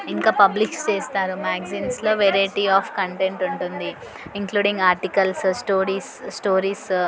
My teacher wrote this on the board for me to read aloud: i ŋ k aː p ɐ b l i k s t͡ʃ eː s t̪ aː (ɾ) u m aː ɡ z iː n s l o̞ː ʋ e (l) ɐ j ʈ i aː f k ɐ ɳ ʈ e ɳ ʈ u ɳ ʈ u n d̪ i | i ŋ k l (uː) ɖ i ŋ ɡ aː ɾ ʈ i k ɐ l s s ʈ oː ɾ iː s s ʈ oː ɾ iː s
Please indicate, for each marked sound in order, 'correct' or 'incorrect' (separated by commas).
correct, incorrect, correct